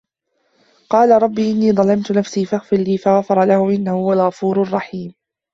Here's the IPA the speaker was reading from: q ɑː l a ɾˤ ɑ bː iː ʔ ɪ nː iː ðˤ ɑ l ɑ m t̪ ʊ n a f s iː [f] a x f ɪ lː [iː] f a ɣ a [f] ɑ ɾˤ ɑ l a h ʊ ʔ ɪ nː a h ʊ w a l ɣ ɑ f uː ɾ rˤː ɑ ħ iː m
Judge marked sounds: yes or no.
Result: yes, yes, yes

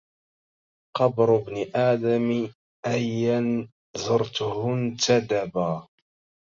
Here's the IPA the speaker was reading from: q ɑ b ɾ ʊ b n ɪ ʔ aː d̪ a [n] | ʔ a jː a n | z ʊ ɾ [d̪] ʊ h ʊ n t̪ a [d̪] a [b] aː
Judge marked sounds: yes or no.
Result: no, no, yes, yes

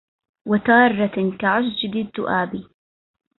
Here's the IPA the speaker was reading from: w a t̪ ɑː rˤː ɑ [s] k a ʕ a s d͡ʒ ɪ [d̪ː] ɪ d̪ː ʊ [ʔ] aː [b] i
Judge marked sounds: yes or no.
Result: no, no, yes, yes

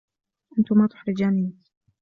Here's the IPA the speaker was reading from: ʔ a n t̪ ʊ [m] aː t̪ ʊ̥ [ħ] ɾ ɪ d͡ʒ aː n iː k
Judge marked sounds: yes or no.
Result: yes, yes

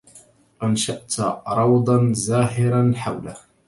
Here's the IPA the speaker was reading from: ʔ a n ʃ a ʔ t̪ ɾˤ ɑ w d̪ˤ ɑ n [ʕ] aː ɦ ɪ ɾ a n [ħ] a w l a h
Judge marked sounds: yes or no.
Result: no, yes

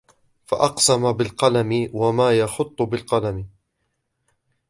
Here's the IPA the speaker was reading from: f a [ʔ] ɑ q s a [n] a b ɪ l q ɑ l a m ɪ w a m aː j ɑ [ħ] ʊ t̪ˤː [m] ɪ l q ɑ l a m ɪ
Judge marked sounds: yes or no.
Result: yes, no, no, no

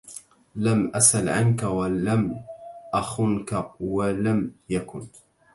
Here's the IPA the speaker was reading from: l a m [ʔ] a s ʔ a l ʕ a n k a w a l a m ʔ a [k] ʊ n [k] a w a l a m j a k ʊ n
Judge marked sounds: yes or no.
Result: yes, no, yes

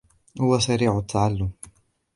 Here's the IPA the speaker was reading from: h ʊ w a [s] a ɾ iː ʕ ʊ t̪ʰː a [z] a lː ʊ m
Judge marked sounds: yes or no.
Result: yes, no

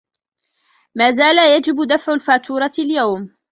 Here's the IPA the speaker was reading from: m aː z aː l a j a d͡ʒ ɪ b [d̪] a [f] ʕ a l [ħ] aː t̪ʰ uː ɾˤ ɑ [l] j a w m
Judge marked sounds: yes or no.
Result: yes, yes, no, yes

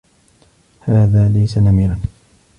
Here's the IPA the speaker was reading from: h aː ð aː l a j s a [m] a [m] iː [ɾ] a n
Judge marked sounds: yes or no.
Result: no, yes, yes

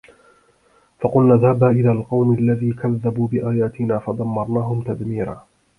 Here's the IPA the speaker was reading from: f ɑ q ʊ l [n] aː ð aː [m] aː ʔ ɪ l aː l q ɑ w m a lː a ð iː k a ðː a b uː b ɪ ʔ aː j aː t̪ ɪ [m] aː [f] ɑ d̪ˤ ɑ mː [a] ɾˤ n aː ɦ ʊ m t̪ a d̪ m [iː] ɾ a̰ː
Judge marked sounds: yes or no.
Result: yes, no, no, yes, no, yes

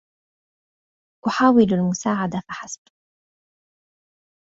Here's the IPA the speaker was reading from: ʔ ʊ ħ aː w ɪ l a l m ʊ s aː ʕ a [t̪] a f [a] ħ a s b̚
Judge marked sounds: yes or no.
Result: no, yes

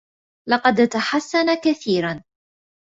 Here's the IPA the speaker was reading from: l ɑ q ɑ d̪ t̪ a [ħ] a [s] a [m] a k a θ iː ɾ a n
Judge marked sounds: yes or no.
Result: yes, no, no

